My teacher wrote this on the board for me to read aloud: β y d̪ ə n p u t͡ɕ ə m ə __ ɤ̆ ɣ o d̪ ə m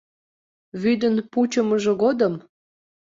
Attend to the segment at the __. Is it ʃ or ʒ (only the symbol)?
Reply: ʒ